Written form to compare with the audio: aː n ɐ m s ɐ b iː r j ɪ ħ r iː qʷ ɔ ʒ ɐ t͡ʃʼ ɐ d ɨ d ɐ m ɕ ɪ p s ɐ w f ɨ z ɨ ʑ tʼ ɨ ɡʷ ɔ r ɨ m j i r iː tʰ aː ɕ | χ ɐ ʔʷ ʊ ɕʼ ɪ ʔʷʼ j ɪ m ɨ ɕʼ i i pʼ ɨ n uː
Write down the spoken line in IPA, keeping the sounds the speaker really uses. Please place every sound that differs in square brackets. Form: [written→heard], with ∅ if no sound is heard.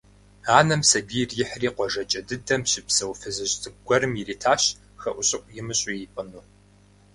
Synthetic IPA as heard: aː n ɐ m s ɐ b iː r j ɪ ħ r iː qʷ ɔ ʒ ɐ t͡ʃʼ ɐ d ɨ d ɐ m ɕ ɪ p s ɐ w f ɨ z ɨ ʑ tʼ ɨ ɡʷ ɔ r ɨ m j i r iː tʰ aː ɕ | [χ→x] ɐ ʔʷ ʊ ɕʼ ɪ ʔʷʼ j ɪ m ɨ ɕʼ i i pʼ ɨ n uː